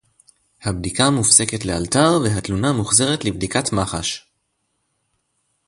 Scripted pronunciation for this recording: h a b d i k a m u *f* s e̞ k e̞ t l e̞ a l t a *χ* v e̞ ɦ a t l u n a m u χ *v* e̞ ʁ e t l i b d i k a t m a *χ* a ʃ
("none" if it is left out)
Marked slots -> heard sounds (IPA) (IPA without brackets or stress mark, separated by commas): f, ʁ, z, χ